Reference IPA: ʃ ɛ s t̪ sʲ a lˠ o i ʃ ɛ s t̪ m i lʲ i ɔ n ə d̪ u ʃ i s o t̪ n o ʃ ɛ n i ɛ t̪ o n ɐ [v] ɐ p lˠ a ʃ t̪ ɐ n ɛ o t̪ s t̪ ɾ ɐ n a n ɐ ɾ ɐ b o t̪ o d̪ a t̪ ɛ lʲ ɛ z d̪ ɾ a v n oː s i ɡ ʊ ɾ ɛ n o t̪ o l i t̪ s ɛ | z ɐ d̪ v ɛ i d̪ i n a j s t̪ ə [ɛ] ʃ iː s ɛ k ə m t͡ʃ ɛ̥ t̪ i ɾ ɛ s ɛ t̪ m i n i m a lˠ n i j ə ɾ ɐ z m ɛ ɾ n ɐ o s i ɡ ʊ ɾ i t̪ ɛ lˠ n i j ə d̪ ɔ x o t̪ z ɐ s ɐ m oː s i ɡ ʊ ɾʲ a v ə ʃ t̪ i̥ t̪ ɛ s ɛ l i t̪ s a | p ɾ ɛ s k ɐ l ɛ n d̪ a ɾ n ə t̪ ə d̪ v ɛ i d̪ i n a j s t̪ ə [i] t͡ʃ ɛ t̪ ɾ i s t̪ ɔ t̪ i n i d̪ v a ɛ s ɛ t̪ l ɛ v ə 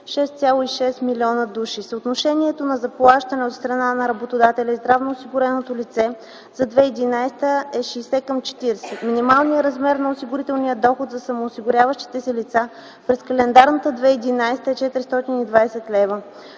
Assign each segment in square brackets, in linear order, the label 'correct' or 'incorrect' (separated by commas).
incorrect, correct, incorrect